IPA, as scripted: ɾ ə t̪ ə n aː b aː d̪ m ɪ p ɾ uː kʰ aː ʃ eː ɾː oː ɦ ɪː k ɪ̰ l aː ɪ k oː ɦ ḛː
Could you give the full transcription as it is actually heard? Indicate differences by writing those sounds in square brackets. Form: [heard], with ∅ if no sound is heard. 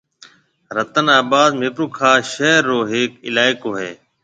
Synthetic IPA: ɾ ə t̪ ə n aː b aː d̪ m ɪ p ɾ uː kʰ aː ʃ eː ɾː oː ɦ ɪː k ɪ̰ l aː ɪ k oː ɦ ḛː